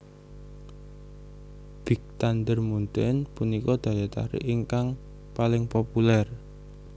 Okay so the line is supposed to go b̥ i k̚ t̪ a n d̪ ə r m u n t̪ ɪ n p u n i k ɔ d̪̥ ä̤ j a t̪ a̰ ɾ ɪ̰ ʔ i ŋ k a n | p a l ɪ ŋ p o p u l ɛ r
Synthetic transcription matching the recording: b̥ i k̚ t̪ a n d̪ ə r m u n t̪ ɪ n p u n i k ɔ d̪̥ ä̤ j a t̪ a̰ ɾ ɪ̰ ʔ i ŋ k a ŋ | p a l ɪ ŋ p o p u l ɛ r